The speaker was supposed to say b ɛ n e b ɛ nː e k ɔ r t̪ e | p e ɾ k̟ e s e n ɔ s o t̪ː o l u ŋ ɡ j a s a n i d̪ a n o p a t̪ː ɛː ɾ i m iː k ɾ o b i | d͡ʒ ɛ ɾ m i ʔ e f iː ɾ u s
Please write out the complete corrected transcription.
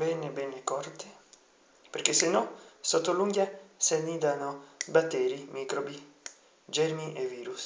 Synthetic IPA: b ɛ n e b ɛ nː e k ɔ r t̪ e | p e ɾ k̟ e s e n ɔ s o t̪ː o l u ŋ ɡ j a s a n i d̪ a n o b a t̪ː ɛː ɾ i m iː k ɾ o b i | d͡ʒ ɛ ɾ m i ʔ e v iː ɾ u s